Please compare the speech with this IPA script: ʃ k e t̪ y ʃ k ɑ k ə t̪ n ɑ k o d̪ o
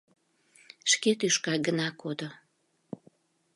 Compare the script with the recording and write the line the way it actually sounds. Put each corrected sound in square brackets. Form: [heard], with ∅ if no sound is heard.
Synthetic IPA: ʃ k e t̪ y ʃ k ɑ [ɡ] ə [∅] n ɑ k o d̪ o